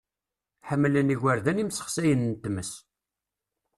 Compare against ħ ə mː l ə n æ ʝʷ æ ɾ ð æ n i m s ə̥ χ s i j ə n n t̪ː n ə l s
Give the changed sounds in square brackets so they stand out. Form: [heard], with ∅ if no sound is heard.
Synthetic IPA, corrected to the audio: ħ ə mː l ə n [i] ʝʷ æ ɾ ð æ n i m s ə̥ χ s [æ] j ə n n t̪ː [m] ə [∅] s